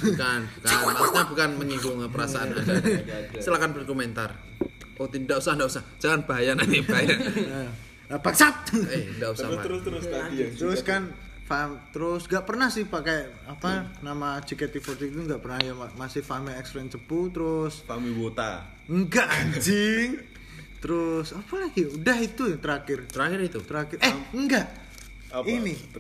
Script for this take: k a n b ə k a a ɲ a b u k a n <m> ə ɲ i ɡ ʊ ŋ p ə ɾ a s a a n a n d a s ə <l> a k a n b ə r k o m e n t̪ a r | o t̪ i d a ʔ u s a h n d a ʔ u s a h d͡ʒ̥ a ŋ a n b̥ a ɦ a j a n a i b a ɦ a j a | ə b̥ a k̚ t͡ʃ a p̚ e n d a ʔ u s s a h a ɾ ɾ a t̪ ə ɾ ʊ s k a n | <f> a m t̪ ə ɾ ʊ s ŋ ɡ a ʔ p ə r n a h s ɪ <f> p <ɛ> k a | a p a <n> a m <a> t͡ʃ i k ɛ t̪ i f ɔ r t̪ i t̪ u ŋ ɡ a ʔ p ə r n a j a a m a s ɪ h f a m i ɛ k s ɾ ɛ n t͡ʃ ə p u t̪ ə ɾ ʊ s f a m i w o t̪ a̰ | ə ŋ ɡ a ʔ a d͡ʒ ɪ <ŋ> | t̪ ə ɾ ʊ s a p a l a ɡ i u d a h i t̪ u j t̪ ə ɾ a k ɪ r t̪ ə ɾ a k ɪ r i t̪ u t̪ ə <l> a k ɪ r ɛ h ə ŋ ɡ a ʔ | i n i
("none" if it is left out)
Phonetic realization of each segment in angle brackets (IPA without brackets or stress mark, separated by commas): m, l, f, h, a, n, a, ŋ, ɾ